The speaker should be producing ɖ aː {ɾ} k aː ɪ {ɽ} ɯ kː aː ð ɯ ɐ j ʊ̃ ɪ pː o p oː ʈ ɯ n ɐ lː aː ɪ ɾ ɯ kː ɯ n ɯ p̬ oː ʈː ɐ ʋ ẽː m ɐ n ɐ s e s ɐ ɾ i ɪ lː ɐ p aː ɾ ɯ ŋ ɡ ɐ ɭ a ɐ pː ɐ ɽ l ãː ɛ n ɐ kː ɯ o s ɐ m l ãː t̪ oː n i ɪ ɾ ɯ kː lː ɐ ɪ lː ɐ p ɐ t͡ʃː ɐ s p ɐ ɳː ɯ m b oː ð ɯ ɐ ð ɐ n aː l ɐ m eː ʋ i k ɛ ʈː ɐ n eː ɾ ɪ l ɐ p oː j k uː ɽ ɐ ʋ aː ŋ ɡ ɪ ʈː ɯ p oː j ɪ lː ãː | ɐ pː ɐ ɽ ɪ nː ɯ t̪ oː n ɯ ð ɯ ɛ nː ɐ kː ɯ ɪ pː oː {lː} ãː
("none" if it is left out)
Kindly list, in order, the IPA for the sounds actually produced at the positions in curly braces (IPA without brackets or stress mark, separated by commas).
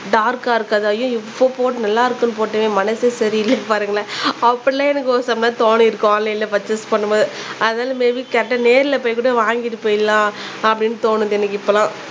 ɾ, ɾ, l